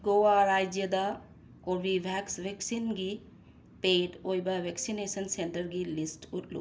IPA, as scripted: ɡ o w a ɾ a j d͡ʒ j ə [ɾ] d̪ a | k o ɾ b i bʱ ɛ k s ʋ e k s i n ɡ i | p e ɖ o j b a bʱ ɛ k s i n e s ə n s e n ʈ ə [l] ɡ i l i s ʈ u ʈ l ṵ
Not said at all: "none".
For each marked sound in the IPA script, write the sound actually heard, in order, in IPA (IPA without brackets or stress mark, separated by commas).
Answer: none, ɾ